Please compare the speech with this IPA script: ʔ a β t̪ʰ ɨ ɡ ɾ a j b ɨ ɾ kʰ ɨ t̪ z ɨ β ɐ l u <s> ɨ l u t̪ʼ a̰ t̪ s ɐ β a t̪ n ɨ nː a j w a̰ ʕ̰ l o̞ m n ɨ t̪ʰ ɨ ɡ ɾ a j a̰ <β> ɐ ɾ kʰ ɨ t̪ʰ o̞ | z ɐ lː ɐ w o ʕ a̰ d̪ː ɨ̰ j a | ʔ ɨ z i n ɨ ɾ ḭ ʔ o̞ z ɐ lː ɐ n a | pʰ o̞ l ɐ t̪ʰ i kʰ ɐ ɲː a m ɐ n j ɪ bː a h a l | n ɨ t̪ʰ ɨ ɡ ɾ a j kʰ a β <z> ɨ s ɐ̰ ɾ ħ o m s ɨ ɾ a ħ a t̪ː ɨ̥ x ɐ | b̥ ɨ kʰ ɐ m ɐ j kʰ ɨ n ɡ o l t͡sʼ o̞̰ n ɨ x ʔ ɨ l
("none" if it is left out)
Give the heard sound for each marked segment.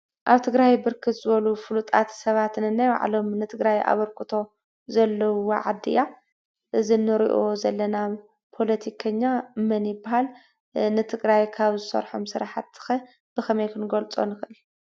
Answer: f, β, z

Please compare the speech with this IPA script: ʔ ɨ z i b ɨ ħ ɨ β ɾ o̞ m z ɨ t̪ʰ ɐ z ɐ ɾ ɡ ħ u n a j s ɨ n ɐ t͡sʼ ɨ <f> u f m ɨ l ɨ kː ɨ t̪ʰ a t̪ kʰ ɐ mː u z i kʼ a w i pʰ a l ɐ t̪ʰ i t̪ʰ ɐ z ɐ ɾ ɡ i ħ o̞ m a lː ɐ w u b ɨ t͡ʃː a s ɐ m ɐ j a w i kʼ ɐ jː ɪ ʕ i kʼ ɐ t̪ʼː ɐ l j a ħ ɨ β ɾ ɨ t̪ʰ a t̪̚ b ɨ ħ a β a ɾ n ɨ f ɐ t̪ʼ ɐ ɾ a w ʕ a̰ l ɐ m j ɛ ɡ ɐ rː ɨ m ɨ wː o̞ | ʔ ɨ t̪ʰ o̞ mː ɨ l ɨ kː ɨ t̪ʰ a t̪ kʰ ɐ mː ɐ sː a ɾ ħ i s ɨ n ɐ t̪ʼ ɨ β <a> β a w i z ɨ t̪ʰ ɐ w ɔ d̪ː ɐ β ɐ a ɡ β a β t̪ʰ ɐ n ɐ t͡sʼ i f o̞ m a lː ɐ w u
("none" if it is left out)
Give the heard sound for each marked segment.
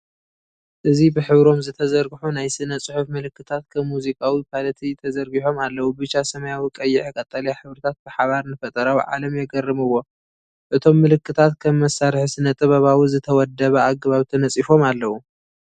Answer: ħ, ɐ

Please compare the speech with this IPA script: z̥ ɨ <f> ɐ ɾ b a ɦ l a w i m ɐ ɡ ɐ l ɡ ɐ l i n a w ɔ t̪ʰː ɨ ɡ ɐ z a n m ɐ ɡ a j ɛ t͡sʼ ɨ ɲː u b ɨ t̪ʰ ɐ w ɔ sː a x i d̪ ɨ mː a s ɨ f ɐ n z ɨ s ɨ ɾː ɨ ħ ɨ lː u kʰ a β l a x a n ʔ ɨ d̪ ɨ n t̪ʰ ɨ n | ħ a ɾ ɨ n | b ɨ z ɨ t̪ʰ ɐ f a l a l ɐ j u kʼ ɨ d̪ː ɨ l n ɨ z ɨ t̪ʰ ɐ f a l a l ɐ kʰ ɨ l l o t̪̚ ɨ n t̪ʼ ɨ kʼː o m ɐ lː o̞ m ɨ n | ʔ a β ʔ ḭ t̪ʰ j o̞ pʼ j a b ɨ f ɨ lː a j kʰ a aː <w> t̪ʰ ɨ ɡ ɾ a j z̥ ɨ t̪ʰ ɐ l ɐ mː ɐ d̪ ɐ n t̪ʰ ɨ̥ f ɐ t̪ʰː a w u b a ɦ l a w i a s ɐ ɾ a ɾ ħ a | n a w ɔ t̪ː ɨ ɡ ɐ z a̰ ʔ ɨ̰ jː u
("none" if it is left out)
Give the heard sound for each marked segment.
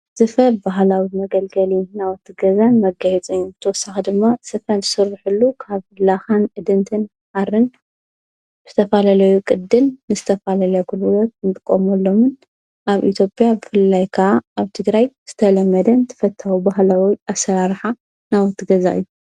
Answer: f, β

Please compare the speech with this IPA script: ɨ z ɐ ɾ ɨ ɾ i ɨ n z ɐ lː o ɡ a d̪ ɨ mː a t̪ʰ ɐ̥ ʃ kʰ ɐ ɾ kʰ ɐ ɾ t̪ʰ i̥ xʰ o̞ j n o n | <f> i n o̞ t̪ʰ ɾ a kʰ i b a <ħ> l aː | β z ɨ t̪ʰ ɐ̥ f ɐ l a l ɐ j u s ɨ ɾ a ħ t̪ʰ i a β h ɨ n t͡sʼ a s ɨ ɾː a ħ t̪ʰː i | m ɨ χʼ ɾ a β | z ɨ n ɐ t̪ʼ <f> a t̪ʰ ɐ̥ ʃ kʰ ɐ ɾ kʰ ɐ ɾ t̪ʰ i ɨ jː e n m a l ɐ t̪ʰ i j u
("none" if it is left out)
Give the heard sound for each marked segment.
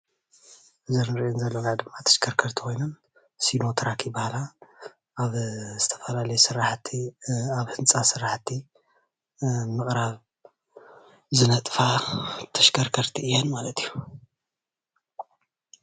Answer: s, h, f

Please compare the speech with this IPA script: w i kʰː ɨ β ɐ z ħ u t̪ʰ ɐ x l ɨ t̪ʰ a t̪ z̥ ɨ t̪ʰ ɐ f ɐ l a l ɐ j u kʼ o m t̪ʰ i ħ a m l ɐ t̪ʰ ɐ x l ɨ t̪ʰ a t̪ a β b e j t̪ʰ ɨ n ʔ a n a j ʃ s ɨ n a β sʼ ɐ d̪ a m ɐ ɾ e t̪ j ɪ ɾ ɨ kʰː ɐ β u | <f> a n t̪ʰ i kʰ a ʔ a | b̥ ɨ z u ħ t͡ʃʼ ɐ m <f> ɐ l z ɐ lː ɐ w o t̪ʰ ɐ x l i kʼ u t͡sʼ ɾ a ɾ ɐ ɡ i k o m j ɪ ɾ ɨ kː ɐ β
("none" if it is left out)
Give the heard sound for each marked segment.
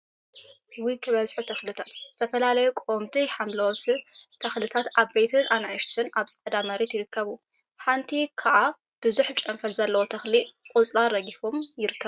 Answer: ħ, f

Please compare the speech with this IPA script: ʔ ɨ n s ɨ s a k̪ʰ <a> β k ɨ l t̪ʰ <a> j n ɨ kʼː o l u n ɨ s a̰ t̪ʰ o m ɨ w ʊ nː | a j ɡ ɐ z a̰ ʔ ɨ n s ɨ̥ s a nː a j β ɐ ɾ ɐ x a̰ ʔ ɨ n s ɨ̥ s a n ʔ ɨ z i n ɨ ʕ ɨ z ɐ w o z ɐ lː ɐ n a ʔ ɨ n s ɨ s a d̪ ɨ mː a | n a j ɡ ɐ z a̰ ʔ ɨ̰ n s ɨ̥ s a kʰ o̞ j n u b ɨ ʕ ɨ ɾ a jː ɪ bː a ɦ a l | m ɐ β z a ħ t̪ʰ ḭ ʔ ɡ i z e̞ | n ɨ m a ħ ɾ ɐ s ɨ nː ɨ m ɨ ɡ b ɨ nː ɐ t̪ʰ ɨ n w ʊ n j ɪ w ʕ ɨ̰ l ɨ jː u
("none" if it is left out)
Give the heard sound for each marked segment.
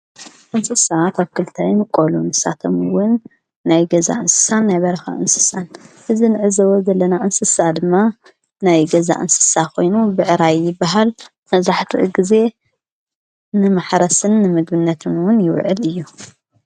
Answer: a, a

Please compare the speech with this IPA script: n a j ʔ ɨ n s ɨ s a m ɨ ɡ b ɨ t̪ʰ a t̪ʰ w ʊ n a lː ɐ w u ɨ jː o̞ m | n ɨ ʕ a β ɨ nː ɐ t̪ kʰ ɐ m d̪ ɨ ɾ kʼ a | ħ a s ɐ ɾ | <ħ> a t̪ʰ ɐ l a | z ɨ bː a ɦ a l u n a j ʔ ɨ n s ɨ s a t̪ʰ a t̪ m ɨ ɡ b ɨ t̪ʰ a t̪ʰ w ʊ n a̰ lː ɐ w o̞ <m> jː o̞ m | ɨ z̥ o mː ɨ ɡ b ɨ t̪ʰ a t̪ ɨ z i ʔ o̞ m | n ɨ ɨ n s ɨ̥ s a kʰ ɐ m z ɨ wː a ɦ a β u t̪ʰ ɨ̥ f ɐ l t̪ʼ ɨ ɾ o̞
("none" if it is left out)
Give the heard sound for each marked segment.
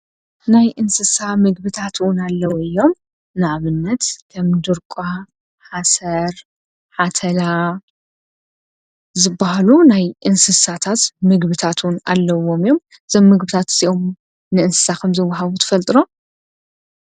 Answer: ħ, m

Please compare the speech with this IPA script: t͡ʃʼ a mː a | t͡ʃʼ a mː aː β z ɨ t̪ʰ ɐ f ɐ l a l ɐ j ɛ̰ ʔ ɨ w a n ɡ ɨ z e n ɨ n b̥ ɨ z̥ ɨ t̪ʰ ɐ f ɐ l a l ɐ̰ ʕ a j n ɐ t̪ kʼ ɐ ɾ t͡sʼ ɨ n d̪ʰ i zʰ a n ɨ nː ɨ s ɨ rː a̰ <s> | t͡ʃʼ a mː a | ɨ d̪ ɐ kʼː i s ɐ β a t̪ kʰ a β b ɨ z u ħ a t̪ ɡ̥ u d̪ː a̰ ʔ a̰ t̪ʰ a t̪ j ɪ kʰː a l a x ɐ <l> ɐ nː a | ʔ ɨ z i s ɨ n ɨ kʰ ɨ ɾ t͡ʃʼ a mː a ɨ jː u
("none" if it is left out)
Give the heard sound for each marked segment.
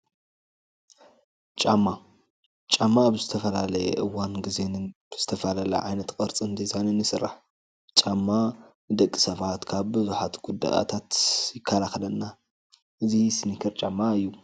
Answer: ħ, l

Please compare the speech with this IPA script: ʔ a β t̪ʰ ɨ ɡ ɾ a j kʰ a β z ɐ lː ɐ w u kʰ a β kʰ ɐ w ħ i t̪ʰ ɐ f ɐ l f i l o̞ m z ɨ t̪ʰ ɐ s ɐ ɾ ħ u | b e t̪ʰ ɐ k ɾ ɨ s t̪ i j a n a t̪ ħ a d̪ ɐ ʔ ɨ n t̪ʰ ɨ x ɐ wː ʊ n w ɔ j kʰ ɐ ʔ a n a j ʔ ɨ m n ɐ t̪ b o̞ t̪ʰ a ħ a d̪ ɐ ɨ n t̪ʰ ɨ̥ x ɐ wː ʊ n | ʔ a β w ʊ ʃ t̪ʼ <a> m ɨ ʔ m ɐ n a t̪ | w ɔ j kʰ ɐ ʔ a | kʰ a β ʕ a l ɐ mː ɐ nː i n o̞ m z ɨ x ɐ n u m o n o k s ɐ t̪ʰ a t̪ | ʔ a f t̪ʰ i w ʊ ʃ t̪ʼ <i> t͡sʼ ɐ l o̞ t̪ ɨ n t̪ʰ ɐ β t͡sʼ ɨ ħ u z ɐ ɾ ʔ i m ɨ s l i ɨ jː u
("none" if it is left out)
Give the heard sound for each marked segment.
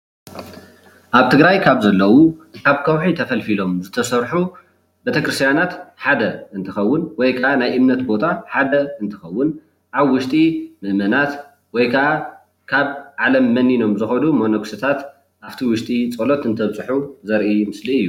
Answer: i, i

